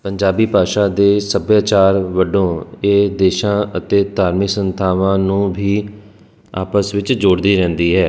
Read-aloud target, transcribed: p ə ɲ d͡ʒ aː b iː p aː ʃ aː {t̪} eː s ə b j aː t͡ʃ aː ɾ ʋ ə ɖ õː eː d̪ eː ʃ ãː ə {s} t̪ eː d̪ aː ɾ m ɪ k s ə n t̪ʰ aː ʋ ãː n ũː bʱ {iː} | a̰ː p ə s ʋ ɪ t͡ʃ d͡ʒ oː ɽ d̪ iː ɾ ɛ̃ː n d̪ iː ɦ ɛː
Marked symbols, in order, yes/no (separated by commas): no, no, yes